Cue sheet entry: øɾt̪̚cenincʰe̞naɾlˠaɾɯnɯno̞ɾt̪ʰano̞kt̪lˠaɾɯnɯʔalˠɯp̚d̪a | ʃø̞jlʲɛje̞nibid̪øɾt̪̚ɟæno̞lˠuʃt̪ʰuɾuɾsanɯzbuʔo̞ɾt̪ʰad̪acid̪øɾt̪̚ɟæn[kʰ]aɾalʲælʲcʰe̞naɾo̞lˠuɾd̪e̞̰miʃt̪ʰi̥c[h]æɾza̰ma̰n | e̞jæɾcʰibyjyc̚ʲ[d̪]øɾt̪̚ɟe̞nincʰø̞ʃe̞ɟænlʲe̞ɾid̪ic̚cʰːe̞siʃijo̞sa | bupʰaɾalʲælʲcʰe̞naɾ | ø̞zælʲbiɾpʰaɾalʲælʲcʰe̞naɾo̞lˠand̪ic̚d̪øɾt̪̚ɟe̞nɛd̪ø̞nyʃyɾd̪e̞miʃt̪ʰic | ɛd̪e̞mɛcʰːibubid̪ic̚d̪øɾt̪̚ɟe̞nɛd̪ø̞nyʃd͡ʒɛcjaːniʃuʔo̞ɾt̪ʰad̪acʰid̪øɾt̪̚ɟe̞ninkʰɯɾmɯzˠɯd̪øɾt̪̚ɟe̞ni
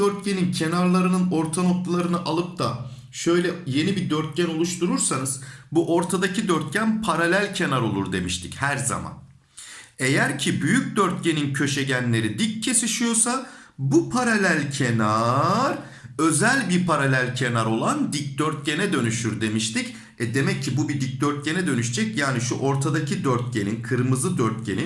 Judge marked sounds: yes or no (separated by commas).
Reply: no, yes, yes